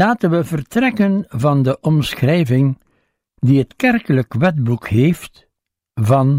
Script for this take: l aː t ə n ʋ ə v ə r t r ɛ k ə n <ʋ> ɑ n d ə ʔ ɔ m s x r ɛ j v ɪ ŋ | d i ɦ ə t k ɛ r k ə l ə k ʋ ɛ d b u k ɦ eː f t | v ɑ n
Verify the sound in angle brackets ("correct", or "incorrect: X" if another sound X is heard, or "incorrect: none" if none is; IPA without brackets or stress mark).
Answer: incorrect: v